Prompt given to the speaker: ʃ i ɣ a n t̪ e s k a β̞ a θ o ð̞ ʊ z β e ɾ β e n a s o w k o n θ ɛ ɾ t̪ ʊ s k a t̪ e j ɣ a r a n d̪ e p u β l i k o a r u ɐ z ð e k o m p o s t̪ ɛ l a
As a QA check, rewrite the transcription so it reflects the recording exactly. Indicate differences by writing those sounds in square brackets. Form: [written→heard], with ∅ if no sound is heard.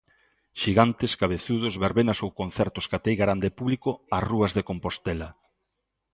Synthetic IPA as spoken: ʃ i ɣ a n t̪ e s k a β̞ [a→e] θ [o→u] ð̞ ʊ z β e ɾ β e n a s o w k o n θ ɛ ɾ t̪ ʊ s k a t̪ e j ɣ a [r→ɾ] a n d̪ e p u β l i k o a r u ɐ z ð e k o m p o s t̪ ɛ l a